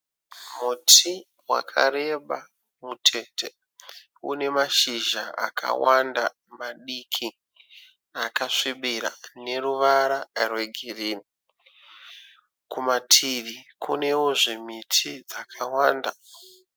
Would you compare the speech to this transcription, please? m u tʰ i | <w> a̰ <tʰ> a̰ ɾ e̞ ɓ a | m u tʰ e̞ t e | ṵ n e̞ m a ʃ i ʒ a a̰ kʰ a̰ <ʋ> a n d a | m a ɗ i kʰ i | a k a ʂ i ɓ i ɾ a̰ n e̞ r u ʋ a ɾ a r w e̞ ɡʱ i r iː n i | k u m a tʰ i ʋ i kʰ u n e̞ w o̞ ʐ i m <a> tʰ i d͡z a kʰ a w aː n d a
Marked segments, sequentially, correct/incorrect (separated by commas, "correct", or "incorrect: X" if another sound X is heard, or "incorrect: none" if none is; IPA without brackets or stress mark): correct, incorrect: kʰ, incorrect: w, incorrect: i